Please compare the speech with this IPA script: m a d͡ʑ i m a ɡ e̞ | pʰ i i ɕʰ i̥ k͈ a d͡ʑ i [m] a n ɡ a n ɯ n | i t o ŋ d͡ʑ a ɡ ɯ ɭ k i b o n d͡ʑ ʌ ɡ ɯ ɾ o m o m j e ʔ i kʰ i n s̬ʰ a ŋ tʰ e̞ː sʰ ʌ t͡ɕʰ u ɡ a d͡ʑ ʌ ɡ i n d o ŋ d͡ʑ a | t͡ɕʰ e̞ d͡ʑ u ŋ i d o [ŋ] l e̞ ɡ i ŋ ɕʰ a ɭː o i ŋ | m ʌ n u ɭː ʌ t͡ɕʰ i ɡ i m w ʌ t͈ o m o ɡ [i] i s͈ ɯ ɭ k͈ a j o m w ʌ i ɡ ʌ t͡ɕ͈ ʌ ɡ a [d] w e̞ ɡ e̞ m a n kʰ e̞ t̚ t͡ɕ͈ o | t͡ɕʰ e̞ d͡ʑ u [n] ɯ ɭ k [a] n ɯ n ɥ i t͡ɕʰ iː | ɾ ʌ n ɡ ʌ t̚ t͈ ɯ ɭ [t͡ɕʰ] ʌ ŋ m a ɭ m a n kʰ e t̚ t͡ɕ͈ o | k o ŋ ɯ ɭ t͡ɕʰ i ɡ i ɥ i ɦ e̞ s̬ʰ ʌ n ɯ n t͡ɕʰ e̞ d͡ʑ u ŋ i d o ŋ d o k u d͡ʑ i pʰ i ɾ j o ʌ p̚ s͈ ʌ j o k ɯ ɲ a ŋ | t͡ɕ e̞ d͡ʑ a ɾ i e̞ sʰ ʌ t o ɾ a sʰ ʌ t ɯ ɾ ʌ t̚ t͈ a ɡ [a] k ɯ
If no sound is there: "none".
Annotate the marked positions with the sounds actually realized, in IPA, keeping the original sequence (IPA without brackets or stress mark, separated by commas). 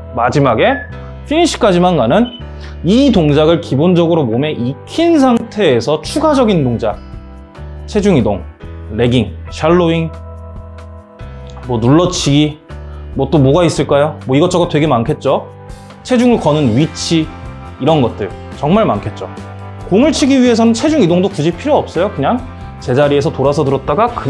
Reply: m, ŋ, a, t, ŋ, ʌ, t͡ɕ, a